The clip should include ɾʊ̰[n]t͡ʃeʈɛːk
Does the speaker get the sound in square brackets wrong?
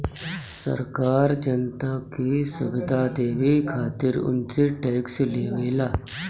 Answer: no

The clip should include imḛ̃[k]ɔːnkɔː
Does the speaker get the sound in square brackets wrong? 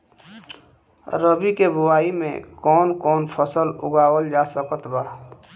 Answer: no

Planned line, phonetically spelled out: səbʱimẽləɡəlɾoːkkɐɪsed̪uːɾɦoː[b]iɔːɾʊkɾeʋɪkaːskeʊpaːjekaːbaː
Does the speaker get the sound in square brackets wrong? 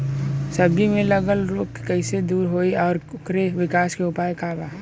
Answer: yes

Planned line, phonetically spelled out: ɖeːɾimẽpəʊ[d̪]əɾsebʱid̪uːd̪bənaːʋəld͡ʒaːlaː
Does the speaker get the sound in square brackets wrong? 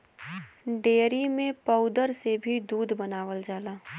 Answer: no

